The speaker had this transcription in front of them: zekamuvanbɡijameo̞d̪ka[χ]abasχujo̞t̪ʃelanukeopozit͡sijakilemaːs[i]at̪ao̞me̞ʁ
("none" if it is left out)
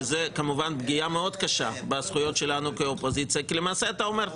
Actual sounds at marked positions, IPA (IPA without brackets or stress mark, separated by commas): ʃ, e